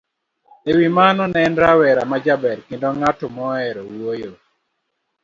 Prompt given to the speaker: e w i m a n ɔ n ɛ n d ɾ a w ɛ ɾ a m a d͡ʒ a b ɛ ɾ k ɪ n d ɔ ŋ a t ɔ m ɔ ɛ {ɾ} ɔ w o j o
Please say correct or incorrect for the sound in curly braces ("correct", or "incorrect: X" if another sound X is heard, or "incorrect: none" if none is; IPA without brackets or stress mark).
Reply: correct